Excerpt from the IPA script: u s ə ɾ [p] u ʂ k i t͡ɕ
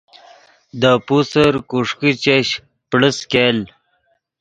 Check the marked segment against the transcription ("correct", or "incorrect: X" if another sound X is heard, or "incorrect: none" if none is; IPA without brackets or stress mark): incorrect: k